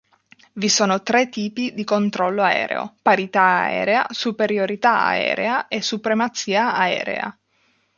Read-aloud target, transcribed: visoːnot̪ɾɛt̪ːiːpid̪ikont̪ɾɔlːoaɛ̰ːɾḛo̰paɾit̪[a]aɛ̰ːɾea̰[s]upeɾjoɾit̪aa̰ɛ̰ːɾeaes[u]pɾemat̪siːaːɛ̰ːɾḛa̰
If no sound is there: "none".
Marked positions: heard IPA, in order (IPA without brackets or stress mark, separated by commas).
a, s, u